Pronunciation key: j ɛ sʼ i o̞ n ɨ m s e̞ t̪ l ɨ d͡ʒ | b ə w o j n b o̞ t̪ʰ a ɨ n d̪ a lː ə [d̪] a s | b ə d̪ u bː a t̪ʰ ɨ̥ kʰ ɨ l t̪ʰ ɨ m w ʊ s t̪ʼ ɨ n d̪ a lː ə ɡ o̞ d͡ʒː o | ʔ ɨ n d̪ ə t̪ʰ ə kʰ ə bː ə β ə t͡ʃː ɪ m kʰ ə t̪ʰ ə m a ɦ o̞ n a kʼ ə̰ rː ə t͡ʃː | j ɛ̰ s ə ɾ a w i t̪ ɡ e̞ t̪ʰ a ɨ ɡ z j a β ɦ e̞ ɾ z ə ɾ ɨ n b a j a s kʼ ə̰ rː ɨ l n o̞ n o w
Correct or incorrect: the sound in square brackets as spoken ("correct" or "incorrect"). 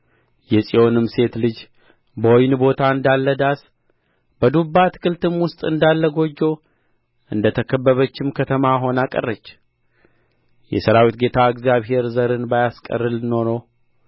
correct